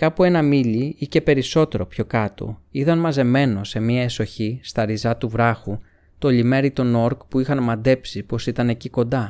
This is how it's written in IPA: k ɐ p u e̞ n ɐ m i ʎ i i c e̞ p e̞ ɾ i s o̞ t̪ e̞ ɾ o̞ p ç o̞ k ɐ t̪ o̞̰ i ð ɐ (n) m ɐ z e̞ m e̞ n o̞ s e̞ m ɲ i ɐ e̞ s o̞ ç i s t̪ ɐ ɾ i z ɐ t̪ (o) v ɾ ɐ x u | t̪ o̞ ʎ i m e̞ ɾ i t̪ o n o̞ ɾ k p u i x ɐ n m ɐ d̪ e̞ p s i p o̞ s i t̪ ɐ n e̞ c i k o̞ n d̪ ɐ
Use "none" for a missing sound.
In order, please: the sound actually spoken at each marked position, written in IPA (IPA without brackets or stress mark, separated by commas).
n, u